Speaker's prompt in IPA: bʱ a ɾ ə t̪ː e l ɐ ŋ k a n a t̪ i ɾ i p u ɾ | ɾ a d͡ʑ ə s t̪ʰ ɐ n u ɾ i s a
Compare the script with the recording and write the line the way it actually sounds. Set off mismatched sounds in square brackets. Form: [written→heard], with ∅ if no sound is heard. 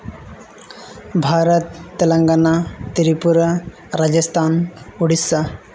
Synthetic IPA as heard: bʱ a ɾ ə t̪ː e l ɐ ŋ [k→ɡ] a n a t̪ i ɾ i p u ɾ | ɾ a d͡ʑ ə s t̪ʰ [ɐ→a] n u [ɾ→ɽ] i s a